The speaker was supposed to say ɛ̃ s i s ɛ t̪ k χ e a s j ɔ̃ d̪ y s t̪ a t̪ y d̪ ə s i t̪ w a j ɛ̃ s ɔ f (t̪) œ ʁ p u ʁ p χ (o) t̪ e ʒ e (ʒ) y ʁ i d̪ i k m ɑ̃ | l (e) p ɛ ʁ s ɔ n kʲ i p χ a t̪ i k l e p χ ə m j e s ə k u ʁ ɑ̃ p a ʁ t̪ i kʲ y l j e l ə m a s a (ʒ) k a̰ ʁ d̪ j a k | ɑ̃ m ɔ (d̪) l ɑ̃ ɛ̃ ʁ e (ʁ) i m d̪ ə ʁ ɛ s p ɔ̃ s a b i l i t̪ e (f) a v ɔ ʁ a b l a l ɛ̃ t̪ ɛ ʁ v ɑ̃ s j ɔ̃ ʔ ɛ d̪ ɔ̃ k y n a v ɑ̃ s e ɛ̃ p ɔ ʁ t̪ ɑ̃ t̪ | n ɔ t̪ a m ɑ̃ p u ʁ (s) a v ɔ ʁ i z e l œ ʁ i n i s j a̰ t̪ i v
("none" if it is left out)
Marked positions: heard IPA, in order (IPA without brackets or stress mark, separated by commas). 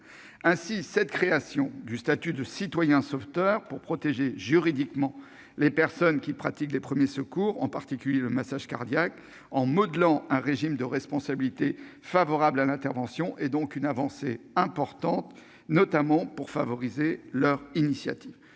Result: t̪, ɔ, ʒ, e, ʒ, d̪, ʒ, f, f